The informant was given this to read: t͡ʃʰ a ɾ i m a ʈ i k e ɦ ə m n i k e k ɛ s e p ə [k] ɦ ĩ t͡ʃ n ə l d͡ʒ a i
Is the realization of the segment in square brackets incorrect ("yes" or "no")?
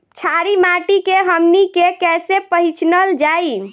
yes